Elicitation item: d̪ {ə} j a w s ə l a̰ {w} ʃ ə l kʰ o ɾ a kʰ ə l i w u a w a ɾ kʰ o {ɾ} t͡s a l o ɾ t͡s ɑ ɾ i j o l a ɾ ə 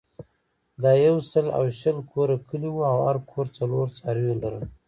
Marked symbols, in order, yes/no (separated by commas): no, yes, yes